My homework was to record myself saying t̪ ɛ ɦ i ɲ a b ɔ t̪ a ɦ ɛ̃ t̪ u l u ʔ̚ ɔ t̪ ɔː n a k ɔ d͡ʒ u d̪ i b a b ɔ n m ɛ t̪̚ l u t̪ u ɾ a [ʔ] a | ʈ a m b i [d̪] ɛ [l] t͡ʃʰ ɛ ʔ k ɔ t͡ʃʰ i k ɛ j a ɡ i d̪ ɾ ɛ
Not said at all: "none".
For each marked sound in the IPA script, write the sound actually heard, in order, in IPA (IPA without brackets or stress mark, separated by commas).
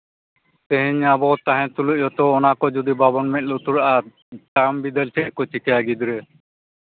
ʔ, d̪, l